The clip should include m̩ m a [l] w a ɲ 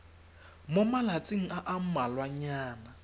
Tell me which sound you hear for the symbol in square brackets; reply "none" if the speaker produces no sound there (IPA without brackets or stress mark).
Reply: l